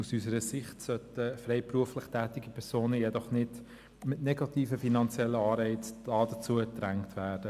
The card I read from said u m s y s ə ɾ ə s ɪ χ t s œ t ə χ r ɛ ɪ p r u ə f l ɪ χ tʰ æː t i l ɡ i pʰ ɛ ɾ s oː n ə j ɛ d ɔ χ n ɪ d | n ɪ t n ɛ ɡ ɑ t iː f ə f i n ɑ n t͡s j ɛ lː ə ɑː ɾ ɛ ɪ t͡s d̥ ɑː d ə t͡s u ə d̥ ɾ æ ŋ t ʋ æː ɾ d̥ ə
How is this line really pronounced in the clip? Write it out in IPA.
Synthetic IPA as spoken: u s y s ə ɾ ə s ɪ χ t s œ t ə f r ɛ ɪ p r u ə f l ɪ χ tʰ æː t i ɡ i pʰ ɛ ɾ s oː n ə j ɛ d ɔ χ n ɪ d | m ɪ t n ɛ ɡ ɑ t iː f ə f i n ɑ n t͡s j ɛ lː ə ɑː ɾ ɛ ɪ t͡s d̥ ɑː d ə t͡s u ə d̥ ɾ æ ŋ t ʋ æː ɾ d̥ ə